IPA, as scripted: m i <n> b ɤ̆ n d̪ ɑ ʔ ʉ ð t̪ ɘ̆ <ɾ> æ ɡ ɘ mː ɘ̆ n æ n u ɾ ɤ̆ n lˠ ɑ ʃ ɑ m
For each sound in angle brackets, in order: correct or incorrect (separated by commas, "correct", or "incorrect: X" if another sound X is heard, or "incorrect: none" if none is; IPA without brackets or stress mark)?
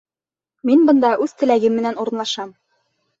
correct, incorrect: l